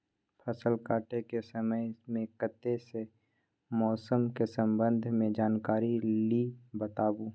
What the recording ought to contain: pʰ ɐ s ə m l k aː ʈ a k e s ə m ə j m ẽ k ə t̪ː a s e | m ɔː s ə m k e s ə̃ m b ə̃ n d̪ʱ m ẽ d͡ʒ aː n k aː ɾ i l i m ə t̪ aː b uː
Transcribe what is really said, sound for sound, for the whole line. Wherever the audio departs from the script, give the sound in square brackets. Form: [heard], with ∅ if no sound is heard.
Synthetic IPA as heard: pʰ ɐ s ə [∅] l k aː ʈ [e] k e s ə m ə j m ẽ k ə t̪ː [e] s e | m ɔː s ə m k e s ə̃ m b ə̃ n d̪ʱ m ẽ d͡ʒ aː n k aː ɾ i l i [b] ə t̪ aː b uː